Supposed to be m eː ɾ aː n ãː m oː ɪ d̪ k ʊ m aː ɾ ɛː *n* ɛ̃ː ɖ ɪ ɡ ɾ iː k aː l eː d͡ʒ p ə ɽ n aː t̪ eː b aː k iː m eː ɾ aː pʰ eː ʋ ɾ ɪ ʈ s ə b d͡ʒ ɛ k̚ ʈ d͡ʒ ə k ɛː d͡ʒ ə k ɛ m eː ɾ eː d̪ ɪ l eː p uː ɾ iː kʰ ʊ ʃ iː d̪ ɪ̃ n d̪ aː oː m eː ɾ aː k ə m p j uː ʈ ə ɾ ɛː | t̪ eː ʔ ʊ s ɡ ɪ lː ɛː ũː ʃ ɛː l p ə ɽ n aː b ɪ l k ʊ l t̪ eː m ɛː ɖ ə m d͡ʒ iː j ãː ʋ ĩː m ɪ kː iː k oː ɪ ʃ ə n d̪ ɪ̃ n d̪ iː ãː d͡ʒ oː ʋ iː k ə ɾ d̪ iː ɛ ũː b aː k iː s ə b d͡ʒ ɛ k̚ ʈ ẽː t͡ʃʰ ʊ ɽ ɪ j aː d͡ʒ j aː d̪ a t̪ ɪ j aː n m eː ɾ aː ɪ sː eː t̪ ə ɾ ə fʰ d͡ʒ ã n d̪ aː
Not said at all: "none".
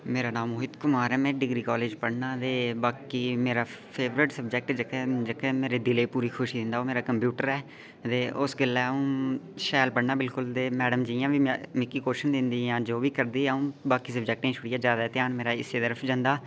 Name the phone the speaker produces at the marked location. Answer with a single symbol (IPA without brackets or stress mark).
m